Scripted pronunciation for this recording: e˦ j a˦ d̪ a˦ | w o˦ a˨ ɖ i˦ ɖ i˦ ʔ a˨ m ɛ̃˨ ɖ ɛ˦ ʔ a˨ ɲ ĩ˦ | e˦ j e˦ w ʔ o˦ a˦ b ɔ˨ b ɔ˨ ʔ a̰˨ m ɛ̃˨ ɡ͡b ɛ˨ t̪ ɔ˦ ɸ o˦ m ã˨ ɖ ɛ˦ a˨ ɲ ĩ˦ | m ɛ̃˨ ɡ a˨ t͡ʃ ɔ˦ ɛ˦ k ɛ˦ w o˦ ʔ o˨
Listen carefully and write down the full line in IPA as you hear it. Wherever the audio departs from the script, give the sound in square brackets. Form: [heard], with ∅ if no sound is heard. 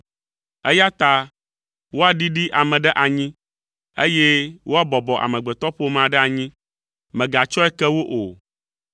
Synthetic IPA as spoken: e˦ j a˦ [t̪] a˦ | w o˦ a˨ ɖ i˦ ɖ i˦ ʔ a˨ m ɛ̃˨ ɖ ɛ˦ ʔ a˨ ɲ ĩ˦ | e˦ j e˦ w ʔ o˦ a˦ b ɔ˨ b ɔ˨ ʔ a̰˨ m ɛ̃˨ ɡ͡b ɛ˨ t̪ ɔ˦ ɸ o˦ m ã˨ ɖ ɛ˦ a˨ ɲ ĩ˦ | m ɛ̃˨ ɡ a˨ t͡ʃ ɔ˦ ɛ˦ k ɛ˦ w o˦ ʔ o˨